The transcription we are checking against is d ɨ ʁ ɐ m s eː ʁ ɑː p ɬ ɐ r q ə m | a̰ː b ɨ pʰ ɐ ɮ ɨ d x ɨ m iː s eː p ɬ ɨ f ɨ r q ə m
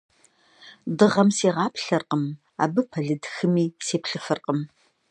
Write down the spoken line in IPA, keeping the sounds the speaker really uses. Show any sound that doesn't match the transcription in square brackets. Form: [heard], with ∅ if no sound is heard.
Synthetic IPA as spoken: d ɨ ʁ ɐ m s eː ʁ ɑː p ɬ ɐ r q ə m | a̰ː b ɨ pʰ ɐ ɮ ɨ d x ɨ m iː s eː p ɬ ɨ f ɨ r q ə m

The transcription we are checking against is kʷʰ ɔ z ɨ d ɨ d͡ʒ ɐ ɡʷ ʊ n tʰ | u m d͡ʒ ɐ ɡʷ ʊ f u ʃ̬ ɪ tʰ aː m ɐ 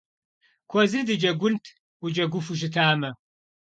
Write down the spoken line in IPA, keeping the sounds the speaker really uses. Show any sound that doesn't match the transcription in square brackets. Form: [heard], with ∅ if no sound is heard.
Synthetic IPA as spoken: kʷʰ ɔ z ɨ d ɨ d͡ʒ ɐ ɡʷ ʊ n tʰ | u [∅] d͡ʒ ɐ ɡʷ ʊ f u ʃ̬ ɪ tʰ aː m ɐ

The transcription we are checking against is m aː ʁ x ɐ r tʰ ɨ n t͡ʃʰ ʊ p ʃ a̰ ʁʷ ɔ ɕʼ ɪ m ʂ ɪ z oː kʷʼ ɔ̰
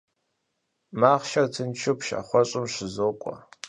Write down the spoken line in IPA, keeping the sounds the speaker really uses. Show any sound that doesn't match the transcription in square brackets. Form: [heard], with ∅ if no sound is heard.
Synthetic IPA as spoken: m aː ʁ [ʃ] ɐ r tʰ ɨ n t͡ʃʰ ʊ p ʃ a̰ [χʷ] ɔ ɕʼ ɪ m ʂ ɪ z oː kʷʼ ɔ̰

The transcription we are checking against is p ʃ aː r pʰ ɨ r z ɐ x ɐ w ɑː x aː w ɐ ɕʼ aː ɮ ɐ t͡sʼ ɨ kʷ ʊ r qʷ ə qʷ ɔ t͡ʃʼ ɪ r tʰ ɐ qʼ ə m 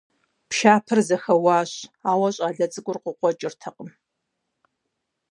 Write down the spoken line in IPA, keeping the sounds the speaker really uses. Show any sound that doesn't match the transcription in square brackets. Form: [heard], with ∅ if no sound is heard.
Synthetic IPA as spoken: p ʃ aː [∅] pʰ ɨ r z ɐ x ɐ w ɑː [ɕ] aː w ɐ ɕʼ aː ɮ ɐ t͡sʼ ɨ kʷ ʊ r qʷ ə qʷ ɔ t͡ʃʼ ɪ r tʰ ɐ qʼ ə m

